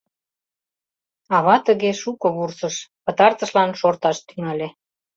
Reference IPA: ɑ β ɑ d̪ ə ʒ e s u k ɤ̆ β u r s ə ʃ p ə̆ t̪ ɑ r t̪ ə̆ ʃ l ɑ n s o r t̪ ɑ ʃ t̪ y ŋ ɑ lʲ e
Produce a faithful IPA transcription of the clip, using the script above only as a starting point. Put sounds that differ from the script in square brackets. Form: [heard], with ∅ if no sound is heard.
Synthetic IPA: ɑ β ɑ [t̪] ə [ɣ] e [ʃ] u k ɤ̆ β u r s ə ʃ p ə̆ t̪ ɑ r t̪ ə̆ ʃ l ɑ n [ʃ] o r t̪ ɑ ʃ t̪ y ŋ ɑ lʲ e